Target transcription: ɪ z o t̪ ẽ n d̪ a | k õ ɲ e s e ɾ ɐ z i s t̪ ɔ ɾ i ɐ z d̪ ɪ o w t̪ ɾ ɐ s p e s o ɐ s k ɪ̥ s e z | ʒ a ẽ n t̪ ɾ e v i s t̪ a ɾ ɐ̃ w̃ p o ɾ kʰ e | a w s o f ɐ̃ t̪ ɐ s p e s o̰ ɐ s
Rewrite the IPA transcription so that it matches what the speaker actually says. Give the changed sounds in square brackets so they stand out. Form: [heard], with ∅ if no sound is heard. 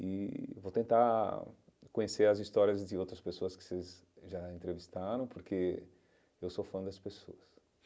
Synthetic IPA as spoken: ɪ [v] o t̪ ẽ n [t̪] a | k õ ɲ e s e ɾ ɐ z i s t̪ ɔ ɾ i ɐ z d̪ ɪ o w t̪ ɾ ɐ s p e s o ɐ s k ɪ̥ s e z | ʒ a ẽ n t̪ ɾ e v i s t̪ a ɾ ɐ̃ w̃ p o ɾ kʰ e | [e] w s o f ɐ̃ [d̪] ɐ s p e s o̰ ɐ s